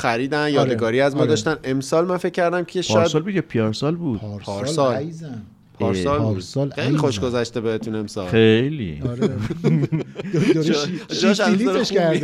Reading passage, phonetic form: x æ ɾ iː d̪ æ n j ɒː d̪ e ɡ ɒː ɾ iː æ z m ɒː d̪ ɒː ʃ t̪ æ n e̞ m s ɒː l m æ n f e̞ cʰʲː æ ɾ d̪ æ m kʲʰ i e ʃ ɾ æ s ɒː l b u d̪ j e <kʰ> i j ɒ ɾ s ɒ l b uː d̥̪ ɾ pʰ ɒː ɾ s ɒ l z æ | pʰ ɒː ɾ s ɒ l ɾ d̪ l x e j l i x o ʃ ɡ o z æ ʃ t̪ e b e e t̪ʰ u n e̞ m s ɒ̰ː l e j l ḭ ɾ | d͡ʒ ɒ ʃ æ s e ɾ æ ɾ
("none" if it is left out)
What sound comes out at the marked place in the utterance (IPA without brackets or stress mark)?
pʰ